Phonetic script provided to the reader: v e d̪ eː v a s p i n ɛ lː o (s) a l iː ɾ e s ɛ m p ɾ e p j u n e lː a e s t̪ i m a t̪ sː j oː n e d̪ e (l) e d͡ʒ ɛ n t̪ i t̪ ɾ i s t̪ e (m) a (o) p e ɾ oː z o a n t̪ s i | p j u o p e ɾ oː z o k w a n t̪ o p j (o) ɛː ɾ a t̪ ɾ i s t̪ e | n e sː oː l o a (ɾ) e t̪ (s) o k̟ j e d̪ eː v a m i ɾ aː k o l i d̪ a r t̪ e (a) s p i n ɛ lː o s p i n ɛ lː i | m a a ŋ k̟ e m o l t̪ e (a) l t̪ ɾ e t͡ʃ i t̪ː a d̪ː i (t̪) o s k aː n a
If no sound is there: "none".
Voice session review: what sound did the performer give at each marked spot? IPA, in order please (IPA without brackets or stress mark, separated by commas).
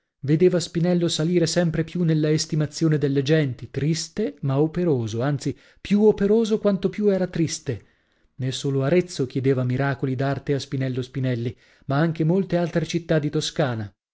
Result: s, lː, m, o, u, ɾ, sː, a, a, t̪